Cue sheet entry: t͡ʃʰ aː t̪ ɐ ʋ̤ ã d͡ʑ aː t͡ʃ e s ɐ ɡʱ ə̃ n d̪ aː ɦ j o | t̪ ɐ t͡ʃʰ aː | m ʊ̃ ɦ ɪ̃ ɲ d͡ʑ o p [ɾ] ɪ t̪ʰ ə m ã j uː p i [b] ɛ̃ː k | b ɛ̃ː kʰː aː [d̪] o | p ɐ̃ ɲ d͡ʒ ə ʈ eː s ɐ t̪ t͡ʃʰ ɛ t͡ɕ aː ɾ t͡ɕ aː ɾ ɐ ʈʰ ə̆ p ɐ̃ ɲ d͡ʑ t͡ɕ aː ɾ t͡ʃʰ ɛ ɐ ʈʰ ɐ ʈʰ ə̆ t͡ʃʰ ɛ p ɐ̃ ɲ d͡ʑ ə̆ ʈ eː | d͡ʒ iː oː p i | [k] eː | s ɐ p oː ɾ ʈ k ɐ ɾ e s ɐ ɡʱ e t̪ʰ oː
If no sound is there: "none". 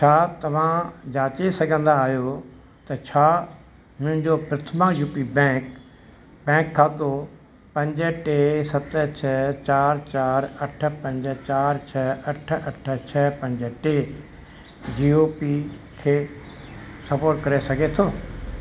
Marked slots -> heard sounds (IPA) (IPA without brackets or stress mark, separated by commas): ɾ, b, t̪, kʰ